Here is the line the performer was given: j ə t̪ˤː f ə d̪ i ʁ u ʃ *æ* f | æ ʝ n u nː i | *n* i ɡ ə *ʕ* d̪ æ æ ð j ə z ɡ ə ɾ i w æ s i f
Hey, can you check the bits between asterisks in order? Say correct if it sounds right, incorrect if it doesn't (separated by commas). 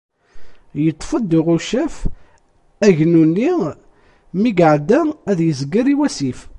correct, incorrect, correct